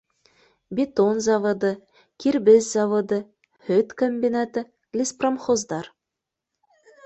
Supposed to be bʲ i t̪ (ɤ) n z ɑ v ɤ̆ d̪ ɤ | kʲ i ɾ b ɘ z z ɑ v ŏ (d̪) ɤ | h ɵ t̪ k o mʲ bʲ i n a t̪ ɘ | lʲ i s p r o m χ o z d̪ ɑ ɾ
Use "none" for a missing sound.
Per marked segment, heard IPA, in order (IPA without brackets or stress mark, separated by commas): o, d̪